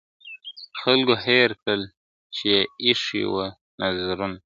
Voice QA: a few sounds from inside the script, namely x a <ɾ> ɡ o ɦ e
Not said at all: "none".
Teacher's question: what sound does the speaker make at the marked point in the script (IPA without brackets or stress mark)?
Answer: l